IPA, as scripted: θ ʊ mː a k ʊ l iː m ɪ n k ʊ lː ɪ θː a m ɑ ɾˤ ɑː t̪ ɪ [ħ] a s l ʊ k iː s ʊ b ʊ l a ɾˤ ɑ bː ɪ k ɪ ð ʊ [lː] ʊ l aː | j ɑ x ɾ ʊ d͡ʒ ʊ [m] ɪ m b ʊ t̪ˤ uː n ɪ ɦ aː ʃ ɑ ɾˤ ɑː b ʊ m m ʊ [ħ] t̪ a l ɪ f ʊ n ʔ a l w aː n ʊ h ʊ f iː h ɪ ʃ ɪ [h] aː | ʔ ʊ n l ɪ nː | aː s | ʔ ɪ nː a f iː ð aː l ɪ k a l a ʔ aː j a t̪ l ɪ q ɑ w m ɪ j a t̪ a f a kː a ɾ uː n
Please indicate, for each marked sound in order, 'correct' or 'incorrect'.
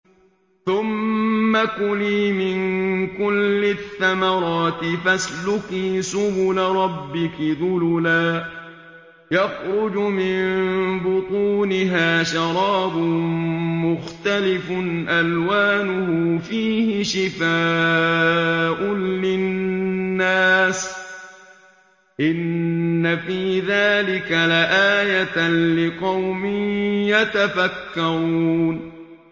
incorrect: f, incorrect: l, correct, incorrect: x, incorrect: f

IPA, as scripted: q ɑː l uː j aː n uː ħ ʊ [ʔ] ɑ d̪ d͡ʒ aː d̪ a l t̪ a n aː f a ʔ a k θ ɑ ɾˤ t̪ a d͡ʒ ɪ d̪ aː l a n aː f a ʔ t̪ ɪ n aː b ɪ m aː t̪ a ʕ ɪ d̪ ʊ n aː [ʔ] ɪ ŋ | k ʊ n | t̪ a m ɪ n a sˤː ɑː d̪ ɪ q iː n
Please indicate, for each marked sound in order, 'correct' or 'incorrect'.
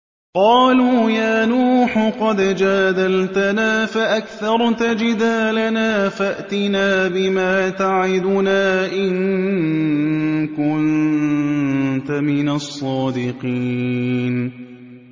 incorrect: q, correct

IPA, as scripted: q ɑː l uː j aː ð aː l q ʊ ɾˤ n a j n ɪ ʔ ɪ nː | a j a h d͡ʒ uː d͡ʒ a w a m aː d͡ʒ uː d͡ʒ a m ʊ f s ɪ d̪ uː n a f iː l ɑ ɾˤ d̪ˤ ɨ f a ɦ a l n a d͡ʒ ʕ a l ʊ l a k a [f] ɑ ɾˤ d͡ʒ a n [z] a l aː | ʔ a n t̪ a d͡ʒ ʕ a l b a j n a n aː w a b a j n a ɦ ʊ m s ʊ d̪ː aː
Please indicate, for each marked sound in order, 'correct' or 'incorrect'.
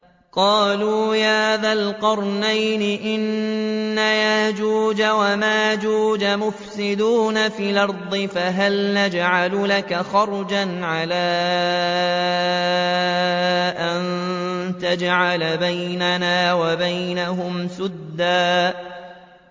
incorrect: x, incorrect: ʕ

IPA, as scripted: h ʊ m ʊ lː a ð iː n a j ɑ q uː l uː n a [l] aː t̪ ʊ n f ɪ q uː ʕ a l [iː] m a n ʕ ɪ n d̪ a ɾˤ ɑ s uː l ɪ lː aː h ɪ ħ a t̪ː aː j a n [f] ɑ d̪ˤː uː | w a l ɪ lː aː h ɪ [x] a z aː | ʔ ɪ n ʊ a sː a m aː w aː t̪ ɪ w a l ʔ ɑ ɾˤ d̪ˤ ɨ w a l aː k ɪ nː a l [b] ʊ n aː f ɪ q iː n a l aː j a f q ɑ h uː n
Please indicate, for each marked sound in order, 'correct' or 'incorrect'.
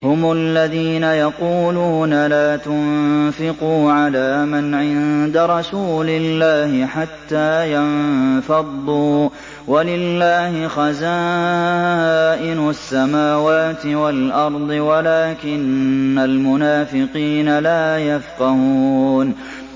correct, incorrect: aː, correct, correct, incorrect: m

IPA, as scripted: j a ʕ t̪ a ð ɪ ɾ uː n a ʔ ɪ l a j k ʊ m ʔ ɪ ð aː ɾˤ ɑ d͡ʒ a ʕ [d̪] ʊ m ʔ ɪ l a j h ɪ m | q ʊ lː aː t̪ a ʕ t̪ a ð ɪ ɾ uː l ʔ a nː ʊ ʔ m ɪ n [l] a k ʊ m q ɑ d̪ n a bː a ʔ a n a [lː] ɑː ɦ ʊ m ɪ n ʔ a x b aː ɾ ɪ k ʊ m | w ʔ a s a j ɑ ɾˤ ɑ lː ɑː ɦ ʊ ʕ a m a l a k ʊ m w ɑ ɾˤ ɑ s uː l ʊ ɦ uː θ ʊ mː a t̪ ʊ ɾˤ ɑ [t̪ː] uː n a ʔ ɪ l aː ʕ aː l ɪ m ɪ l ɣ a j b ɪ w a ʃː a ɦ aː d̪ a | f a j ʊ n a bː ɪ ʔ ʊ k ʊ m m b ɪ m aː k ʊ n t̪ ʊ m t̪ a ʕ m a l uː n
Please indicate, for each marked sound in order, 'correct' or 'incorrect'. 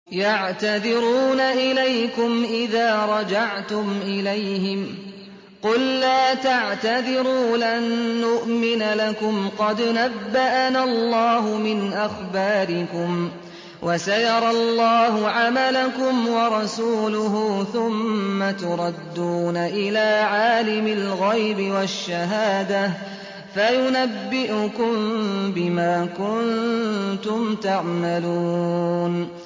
incorrect: t̪, correct, correct, incorrect: d̪ː

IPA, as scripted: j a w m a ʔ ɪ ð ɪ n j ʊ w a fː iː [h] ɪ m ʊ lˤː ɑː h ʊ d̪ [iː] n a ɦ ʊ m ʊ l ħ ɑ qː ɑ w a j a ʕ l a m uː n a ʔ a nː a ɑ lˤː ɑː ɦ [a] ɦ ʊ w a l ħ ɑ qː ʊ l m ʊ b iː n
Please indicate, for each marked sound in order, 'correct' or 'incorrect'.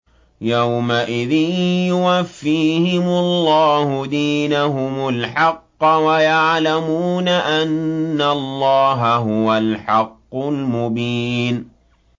correct, correct, correct

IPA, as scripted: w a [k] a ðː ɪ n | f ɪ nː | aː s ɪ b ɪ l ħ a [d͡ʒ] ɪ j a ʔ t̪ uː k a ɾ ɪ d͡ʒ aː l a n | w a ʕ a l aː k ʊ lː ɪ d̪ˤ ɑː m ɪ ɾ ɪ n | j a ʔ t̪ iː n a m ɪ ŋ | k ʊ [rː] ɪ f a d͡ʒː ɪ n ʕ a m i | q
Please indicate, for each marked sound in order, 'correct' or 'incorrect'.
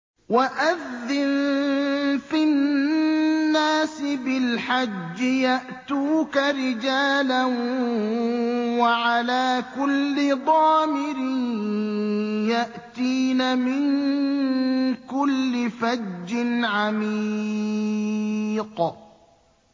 incorrect: ʔ, incorrect: d͡ʒː, incorrect: lː

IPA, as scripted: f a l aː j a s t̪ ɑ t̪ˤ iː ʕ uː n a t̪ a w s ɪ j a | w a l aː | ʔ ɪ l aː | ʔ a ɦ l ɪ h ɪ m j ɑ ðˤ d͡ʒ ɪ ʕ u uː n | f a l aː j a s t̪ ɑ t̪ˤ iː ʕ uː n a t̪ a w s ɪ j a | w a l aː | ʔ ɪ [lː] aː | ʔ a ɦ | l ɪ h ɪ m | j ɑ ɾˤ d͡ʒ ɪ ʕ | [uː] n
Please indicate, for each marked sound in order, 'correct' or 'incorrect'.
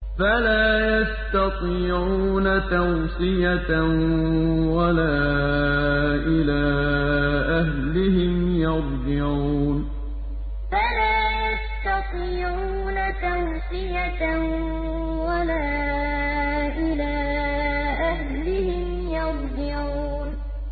incorrect: l, correct

